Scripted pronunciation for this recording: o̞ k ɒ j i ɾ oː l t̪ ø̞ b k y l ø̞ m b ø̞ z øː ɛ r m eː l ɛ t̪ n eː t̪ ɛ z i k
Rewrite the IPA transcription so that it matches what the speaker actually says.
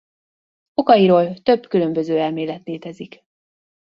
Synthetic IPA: o̞ k ɒ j i ɾ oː l t̪ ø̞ b k y l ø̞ m b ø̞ z øː ɛ l m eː l ɛ t̪ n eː t̪ ɛ z i k